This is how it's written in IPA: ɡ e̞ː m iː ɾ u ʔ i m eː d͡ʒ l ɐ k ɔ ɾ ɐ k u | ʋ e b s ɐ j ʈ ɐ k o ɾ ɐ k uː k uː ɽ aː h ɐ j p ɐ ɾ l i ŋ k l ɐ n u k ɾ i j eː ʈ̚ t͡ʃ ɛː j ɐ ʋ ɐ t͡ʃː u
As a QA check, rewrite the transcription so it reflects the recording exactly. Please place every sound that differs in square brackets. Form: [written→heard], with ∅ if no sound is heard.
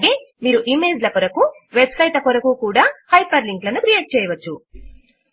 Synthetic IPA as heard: ɡ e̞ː m iː ɾ u ʔ i m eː d͡ʒ l ɐ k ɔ ɾ ɐ k u | ʋ e b s ɐ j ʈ ɐ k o ɾ ɐ k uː k uː ɽ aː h ɐ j p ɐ ɾ l i ŋ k l ɐ n u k ɾ i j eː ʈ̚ t͡ʃ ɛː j ɐ ʋ ɐ t͡ʃː u